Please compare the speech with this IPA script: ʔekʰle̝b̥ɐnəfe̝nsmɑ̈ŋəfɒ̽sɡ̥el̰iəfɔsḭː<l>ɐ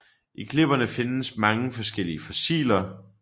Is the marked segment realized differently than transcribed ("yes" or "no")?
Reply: no